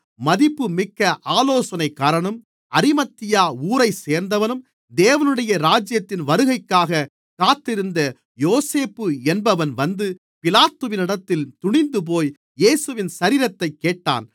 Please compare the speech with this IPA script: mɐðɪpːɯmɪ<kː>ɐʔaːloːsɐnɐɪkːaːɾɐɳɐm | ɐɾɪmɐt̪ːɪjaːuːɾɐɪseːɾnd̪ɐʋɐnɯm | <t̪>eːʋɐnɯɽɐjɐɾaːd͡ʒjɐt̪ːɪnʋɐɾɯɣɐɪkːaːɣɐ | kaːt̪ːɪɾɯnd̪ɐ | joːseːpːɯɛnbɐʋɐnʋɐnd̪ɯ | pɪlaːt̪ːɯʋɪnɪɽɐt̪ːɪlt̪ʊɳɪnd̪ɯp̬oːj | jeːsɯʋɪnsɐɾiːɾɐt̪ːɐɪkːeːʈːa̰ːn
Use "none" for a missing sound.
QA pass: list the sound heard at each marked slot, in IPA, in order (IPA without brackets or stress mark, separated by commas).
kː, d̪